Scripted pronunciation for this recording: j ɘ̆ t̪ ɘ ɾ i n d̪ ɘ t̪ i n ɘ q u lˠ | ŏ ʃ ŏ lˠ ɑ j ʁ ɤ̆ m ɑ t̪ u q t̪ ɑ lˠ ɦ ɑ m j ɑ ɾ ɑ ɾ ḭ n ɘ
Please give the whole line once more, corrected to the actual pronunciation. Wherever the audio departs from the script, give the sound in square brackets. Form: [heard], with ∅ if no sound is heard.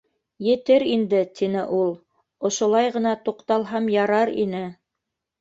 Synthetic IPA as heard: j ɘ̆ t̪ ɘ ɾ i n d̪ ɘ t̪ i n ɘ [ʔ] u lˠ | ŏ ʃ ŏ lˠ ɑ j ʁ ɤ̆ [n] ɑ t̪ u q t̪ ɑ lˠ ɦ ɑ m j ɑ ɾ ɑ ɾ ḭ n ɘ